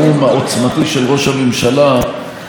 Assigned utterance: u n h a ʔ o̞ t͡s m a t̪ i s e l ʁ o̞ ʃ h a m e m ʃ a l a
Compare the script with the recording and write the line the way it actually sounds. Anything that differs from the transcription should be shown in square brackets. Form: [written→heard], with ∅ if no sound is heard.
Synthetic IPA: u [n→m] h a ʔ o̞ t͡s m a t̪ i [s→ʃ] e l ʁ o̞ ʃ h a m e m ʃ a l a